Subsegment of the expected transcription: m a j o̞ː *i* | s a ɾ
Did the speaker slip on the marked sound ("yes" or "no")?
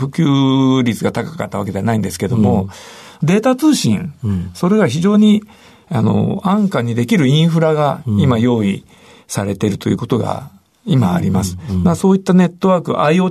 no